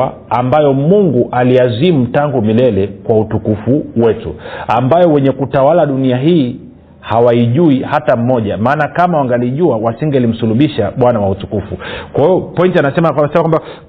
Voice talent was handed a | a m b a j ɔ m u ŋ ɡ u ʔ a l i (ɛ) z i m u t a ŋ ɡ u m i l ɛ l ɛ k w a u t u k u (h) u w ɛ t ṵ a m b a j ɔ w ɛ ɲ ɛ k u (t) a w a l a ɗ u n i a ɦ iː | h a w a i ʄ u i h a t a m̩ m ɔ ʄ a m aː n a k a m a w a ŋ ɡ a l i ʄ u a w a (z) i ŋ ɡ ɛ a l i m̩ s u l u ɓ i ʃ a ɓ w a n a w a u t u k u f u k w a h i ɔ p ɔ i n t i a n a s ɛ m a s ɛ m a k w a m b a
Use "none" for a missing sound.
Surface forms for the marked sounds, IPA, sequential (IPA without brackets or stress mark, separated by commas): a, f, t, s